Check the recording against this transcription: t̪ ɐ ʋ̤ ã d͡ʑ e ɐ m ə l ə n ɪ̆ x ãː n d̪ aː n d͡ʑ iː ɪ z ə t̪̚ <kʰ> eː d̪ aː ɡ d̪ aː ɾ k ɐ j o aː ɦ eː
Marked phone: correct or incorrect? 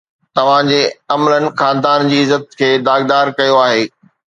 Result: correct